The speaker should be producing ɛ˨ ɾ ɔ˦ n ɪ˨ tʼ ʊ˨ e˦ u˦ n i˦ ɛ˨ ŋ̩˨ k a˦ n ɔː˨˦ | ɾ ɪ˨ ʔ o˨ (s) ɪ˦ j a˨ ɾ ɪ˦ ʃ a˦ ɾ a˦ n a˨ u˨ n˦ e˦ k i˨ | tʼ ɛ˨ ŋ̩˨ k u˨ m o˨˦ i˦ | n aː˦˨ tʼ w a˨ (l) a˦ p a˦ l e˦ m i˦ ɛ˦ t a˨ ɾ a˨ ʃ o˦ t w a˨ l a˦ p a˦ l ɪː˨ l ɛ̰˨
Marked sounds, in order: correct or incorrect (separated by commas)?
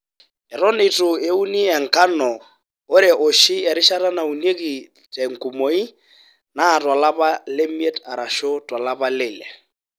incorrect, correct